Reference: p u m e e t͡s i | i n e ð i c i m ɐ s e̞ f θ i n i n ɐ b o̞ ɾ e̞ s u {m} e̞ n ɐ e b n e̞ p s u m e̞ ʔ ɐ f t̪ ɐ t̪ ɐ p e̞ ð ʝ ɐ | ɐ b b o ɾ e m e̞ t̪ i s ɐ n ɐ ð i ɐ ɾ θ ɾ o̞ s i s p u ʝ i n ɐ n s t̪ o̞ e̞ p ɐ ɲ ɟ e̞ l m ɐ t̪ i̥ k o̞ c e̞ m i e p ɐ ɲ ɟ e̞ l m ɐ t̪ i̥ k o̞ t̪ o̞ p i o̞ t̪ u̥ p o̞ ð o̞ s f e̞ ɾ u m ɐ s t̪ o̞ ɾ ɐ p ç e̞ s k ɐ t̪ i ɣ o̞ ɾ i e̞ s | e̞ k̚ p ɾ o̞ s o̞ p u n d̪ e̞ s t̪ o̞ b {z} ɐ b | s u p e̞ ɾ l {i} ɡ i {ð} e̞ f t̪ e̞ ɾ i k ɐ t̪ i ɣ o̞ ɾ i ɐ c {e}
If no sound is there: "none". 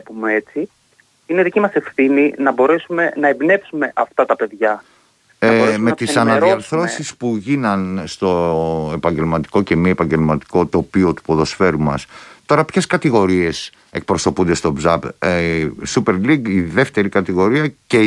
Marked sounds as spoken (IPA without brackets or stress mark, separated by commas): m, z, i, ð, e